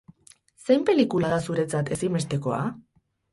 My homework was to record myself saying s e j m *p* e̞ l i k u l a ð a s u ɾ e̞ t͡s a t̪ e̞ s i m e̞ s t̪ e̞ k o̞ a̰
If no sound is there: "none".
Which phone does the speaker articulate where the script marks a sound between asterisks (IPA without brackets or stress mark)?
p